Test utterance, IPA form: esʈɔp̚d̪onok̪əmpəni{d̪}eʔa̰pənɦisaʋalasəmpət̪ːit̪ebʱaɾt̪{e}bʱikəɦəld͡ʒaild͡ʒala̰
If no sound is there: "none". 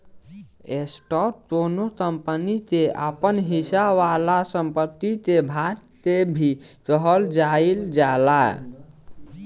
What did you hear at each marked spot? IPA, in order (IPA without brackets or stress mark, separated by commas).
t̪, e